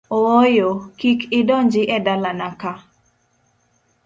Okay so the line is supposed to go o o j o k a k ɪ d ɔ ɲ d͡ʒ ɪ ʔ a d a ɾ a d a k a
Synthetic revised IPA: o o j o k i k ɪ d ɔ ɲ d͡ʒ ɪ ʔ ɛ d a l a n a k a